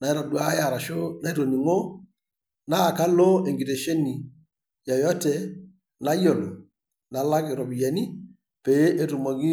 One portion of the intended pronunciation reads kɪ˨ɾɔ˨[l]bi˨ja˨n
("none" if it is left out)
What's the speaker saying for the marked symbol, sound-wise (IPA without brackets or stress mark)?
none